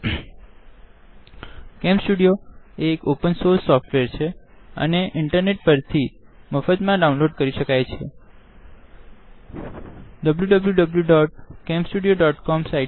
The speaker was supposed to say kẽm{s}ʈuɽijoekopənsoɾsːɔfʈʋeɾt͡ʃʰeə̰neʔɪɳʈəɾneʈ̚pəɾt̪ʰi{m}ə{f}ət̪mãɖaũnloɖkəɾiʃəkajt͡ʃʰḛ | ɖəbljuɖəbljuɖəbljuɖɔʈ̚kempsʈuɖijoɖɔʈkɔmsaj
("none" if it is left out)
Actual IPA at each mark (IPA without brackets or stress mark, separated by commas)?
s, m, f